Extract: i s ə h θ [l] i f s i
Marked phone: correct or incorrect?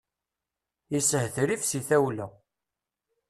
incorrect